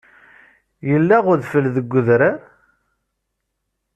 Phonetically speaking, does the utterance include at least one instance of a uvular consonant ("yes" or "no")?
yes